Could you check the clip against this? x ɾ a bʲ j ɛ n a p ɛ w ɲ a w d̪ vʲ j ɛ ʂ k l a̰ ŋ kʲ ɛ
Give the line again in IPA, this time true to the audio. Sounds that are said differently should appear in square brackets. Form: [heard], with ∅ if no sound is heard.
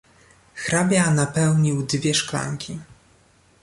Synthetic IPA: x ɾ a bʲ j [a] n a p ɛ w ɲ [i] w d̪ vʲ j ɛ ʂ k l a̰ ŋ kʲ [i]